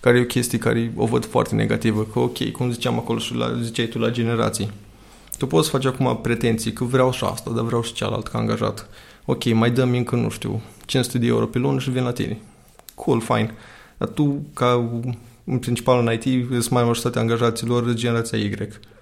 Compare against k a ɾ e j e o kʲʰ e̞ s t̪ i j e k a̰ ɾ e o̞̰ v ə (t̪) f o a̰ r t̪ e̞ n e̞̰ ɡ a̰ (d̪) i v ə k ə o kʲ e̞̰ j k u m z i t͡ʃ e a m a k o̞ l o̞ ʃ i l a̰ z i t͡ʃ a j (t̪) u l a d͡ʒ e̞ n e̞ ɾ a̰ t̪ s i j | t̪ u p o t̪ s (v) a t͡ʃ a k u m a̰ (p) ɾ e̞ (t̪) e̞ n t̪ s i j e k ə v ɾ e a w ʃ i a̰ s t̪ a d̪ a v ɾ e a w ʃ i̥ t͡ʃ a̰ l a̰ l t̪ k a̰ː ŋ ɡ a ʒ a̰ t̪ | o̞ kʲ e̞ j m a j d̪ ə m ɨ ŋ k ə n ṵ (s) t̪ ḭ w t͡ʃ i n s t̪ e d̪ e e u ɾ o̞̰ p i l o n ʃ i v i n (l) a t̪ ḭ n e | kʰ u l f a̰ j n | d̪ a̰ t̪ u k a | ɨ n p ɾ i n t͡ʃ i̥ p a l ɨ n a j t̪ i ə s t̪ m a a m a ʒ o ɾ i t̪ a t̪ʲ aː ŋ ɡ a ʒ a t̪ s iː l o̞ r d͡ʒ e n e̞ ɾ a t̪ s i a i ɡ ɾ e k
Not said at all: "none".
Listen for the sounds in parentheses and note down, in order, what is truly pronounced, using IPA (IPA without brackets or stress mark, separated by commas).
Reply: d̪, t̪, t̪, f, p, t̪, ʃ, l